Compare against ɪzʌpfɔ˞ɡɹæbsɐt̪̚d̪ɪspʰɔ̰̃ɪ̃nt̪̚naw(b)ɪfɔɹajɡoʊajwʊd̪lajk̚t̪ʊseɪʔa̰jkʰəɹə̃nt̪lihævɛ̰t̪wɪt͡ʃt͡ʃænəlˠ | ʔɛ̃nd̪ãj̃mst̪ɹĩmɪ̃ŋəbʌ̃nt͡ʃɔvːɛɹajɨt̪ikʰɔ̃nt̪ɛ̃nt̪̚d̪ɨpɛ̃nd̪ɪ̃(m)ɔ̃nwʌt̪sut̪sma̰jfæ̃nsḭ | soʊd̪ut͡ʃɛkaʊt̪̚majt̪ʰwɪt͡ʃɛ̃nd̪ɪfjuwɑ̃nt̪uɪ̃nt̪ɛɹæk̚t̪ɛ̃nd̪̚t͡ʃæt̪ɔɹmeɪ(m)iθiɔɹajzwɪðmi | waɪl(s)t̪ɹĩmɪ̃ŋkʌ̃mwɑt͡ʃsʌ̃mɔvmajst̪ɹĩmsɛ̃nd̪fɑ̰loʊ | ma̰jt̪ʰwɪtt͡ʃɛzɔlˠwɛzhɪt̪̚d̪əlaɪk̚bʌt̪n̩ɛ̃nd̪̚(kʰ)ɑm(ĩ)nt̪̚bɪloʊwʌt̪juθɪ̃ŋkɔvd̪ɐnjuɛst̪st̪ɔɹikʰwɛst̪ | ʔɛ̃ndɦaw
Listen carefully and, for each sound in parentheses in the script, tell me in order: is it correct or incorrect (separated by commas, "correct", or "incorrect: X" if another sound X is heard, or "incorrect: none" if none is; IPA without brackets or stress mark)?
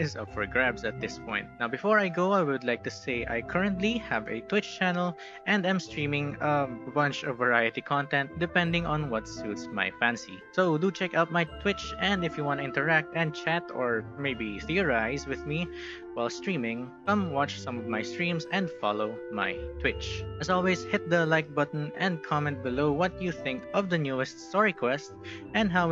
correct, incorrect: ŋ, incorrect: b, correct, correct, incorrect: ɛ̃